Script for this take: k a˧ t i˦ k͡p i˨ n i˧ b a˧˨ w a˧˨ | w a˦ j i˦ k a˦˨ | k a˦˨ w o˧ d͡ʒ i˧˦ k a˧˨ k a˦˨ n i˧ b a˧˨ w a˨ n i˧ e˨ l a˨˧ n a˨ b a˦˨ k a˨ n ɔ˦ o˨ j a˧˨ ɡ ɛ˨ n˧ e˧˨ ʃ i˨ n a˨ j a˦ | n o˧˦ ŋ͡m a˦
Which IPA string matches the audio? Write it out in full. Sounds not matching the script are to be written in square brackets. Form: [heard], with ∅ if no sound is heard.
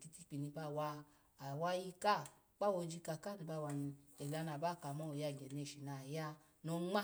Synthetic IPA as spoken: k [i˧] t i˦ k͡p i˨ n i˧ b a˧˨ w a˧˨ | w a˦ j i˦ k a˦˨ | [k͡p] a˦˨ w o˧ d͡ʒ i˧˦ k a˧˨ k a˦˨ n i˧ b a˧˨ w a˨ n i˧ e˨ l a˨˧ n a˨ b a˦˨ k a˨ [m] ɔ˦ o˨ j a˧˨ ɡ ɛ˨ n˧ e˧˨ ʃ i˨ n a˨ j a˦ | n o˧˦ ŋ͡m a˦

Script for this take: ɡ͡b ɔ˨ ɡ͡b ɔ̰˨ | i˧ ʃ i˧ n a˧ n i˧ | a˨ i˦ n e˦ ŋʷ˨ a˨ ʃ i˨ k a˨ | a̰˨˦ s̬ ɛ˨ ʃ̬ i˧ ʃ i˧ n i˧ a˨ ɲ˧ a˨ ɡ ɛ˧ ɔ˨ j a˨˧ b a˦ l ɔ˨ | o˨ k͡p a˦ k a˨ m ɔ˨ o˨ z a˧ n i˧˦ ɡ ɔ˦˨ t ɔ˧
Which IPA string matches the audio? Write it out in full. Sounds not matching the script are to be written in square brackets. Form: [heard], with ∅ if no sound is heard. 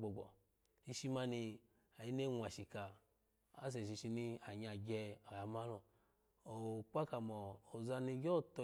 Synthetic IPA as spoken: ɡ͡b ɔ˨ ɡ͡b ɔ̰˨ | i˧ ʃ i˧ [m] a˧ n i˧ | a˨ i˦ n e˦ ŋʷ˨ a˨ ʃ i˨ k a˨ | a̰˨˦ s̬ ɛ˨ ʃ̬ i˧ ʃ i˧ n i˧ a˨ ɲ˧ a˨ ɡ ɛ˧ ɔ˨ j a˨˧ [m] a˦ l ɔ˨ | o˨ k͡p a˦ k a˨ m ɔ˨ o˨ z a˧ n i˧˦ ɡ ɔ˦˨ t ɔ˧

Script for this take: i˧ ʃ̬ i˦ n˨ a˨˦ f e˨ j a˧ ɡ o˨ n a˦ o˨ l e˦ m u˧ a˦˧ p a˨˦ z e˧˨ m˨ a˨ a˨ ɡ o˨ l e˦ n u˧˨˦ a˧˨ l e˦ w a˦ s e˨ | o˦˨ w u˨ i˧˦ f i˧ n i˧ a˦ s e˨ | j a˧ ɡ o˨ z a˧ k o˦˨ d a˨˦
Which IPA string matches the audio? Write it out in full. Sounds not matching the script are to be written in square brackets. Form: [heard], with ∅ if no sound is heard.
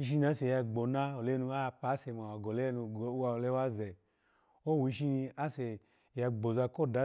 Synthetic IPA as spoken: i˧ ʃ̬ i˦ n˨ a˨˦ [s] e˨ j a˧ [ɡ͡b] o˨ n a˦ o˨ l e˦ [n] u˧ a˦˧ p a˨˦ [s] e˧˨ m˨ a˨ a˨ ɡ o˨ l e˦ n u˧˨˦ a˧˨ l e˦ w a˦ [z] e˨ | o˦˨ w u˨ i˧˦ [ʃ] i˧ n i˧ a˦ s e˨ | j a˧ [ɡ͡b] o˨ z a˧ k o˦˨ d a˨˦

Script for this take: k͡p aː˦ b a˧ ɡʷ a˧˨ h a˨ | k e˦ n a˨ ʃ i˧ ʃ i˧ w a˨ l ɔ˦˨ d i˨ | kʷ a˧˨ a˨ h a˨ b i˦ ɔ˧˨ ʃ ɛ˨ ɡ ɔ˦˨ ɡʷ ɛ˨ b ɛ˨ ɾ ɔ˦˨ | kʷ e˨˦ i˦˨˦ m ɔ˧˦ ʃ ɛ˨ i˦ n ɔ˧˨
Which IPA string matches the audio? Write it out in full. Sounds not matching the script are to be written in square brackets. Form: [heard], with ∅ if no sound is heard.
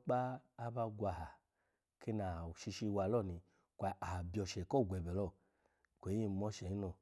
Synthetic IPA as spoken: k͡p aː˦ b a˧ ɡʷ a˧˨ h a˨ | k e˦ n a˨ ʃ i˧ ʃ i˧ w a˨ l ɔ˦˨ [n] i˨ | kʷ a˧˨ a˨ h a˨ b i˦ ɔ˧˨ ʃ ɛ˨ [k] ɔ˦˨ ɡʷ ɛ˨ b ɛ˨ [l] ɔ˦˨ | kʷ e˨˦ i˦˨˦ m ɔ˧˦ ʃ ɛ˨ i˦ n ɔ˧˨

